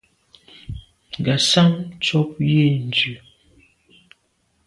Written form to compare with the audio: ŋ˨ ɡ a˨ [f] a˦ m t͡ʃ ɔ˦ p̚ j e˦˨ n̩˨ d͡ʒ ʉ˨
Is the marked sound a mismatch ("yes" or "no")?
yes